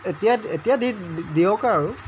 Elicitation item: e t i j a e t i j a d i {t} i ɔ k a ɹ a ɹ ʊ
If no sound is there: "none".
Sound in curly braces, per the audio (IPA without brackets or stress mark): d